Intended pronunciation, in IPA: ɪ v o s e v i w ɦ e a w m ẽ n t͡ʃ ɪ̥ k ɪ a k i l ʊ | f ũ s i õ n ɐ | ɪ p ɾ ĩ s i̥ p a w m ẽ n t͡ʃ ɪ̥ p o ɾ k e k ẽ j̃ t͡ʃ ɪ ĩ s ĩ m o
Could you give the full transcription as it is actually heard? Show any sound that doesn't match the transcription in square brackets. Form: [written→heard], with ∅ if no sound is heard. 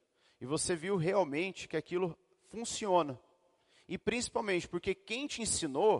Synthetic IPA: ɪ v o s e v i w ɦ e a w m ẽ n t͡ʃ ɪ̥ k ɪ a k i l ʊ | f ũ s i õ n ɐ | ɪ p ɾ ĩ s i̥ p a w m ẽ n t͡ʃ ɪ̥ p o ɾ k e k ẽ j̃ t͡ʃ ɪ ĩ s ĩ [m→n] o